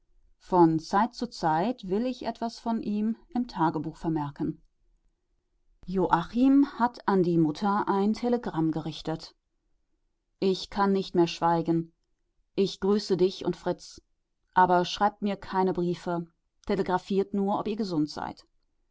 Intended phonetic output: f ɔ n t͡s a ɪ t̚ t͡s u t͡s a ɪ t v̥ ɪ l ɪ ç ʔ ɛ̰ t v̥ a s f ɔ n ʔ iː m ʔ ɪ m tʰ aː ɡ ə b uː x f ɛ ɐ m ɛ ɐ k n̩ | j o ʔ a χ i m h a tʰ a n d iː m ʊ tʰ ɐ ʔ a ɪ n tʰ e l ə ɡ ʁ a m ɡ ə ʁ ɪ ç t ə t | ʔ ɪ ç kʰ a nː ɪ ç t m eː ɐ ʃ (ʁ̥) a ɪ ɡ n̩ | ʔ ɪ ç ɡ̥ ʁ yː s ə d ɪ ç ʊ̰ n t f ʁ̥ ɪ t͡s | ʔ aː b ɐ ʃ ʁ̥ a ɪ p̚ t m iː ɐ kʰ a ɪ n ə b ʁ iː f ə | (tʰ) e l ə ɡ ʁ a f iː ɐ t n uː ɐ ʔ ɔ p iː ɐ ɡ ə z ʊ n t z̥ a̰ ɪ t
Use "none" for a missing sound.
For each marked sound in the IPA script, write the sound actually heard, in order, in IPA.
v̥, tʰ

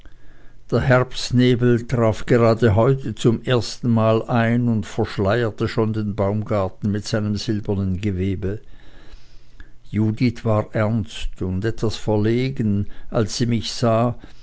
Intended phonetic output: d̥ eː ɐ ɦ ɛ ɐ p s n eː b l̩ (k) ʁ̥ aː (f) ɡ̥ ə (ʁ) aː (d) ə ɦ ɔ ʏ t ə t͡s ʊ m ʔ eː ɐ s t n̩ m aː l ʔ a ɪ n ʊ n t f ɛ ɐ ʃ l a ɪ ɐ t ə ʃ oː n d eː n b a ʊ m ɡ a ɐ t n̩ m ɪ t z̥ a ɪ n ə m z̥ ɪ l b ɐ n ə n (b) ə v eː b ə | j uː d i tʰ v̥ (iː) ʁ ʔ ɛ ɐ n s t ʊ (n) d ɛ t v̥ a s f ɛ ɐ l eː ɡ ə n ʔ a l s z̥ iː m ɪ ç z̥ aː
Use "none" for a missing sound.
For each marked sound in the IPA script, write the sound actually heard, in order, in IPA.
t, f, ʁ, d, ɡ, aː, n

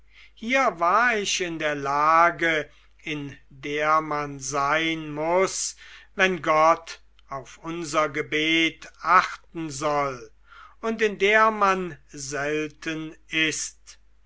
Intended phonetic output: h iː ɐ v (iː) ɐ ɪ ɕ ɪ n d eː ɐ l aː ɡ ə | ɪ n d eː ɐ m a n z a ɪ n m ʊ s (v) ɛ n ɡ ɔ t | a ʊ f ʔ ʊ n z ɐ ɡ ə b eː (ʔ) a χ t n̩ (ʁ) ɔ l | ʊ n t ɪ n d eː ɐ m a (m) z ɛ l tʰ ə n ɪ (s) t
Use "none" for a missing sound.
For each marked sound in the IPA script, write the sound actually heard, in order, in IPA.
aː, v, t, z, n, s

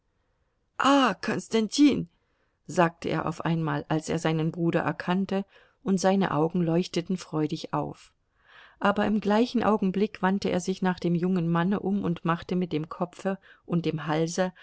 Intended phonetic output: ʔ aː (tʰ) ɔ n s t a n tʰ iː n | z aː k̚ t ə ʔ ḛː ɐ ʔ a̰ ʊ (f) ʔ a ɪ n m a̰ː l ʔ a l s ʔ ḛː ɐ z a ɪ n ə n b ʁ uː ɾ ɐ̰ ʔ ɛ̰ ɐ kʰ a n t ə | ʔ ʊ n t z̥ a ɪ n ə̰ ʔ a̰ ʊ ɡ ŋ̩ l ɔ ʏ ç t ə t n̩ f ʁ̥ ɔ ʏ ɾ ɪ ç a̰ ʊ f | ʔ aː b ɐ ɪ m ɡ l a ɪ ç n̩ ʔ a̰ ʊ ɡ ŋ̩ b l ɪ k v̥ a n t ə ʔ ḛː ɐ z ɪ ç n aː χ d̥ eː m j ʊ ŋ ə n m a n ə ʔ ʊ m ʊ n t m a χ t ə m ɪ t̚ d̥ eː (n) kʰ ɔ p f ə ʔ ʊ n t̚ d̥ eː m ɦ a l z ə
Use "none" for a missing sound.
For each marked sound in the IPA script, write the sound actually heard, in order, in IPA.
kʰ, f, m

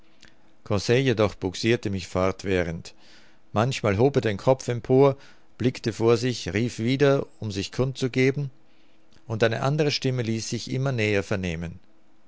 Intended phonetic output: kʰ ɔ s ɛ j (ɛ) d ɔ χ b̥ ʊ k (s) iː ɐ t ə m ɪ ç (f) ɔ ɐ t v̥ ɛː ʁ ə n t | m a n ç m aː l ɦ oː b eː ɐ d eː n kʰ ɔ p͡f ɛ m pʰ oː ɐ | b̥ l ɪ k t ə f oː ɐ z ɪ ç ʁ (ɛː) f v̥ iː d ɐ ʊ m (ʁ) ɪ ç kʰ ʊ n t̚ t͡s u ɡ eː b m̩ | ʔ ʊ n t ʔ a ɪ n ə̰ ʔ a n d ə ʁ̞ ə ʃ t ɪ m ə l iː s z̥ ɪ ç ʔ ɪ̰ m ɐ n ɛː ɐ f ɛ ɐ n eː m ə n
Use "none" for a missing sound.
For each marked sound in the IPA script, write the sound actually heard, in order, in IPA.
e, s, f, iː, z

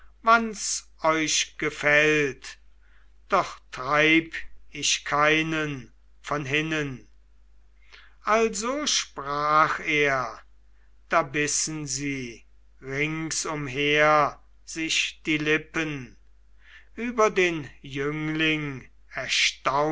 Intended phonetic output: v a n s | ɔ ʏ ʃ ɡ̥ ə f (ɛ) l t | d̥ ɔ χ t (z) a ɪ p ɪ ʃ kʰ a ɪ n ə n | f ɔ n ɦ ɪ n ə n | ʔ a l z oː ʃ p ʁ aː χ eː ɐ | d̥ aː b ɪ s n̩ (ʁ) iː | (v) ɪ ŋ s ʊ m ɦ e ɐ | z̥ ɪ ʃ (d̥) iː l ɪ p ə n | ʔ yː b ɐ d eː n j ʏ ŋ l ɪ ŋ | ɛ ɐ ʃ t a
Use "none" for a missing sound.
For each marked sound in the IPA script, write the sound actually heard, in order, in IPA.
ɛ, ʁ, z, ʁ, d̥

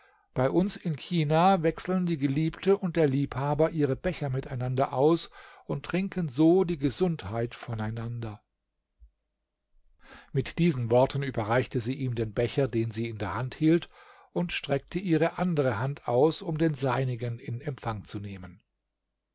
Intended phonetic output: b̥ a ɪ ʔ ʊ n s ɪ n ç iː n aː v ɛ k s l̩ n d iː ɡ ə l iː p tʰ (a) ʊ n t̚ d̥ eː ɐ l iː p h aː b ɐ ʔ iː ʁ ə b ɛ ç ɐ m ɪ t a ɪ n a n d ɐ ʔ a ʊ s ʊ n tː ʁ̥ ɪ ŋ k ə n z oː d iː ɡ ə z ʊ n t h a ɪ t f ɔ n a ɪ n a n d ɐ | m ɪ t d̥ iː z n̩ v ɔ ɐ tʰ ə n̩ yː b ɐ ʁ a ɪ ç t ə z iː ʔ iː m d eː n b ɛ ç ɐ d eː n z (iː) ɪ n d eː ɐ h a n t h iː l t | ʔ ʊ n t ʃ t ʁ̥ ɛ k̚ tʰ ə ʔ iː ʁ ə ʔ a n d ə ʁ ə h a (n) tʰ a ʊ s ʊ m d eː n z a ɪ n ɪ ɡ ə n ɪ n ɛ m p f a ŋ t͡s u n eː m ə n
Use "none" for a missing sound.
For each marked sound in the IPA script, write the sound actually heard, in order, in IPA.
ə, iː, n

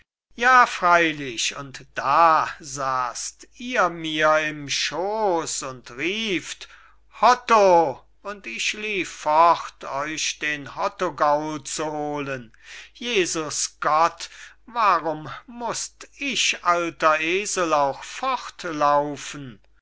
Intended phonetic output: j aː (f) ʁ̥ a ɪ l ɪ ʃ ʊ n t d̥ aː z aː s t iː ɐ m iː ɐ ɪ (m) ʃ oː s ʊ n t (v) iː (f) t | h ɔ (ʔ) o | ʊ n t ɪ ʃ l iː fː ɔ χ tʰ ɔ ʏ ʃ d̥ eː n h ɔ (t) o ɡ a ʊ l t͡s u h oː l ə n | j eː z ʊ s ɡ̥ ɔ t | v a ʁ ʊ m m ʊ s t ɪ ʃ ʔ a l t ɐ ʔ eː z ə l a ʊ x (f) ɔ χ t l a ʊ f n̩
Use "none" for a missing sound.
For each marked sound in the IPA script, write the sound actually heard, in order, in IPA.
f, m, ʁ, f, t, t, f

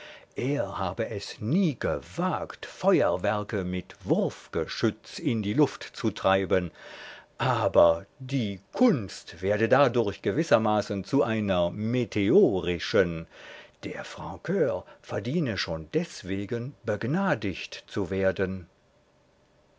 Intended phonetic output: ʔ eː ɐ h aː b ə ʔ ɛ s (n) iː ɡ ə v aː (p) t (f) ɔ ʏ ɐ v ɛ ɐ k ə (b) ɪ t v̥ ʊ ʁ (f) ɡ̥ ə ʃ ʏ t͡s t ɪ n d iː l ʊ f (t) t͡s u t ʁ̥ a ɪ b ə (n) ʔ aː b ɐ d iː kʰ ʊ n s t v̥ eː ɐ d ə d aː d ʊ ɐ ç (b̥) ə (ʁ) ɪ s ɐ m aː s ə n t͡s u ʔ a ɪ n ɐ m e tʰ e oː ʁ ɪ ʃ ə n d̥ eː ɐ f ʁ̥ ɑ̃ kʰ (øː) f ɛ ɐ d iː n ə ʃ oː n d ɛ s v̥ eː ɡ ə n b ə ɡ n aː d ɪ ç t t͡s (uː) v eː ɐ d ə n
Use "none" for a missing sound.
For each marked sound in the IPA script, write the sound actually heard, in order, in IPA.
n, k, f, m, f, t, n, ɡ̥, v, øː, u

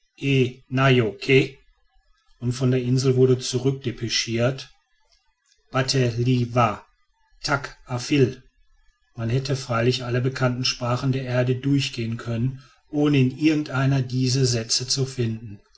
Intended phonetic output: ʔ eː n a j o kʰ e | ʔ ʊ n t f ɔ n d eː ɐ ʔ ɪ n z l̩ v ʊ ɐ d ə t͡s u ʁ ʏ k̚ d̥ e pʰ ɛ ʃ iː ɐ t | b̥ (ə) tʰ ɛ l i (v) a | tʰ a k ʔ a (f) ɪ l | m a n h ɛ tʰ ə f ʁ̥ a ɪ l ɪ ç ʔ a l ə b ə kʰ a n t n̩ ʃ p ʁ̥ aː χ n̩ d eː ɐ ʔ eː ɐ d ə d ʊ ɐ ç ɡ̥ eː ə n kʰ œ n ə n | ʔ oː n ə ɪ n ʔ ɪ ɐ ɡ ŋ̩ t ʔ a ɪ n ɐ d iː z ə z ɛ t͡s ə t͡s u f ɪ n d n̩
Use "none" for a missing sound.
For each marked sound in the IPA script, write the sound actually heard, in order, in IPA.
a, v, f

